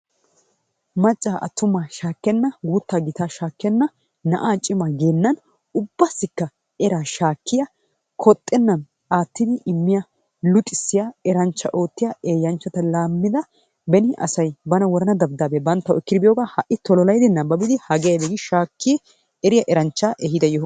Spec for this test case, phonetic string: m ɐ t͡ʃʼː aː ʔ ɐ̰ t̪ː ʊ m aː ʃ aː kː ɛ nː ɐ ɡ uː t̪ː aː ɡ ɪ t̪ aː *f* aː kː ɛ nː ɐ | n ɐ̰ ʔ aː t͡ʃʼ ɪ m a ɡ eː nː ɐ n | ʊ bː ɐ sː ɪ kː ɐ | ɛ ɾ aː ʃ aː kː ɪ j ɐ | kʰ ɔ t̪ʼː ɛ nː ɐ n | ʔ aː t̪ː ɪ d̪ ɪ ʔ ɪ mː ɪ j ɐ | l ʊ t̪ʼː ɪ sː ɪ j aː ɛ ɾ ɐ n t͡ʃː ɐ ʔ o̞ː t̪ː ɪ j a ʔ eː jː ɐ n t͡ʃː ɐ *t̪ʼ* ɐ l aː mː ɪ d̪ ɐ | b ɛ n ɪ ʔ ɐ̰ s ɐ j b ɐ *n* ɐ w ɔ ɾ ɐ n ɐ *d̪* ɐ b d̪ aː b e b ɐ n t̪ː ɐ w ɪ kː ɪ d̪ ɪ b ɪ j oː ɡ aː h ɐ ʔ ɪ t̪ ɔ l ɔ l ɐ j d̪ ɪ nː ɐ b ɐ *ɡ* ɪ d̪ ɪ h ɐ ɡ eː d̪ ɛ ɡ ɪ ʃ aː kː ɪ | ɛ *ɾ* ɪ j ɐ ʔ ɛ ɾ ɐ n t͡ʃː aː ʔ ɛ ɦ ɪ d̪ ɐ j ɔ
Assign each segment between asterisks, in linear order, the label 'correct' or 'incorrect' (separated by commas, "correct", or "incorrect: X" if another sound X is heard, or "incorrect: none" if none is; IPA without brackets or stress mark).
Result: incorrect: ʃ, incorrect: t̪, correct, correct, incorrect: b, correct